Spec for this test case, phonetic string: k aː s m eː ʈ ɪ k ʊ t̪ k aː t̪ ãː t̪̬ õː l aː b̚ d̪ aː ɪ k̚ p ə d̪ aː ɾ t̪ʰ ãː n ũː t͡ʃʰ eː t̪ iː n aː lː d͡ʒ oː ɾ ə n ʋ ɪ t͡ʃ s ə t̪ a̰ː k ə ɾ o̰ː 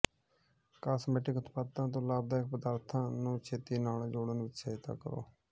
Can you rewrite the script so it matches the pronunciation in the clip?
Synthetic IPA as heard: k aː s m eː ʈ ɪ k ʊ t̪ p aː t̪ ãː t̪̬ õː l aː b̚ d̪ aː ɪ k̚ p ə d̪ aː ɾ t̪ʰ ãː n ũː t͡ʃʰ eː t̪ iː n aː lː d͡ʒ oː ɽ ə n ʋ ɪ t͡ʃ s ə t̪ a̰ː k ə ɾ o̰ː